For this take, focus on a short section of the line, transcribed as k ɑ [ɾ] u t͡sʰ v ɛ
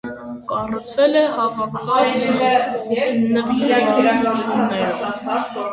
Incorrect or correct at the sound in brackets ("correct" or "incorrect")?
incorrect